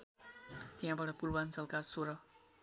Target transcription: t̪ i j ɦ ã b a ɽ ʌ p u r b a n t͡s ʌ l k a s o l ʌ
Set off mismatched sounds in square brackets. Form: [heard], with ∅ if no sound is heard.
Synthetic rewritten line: t̪ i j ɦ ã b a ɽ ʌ p u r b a n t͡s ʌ l k a s o [ɾ] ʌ